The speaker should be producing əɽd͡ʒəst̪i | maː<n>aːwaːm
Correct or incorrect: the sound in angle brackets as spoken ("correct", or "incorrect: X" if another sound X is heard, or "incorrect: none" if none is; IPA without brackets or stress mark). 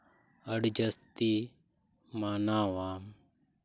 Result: correct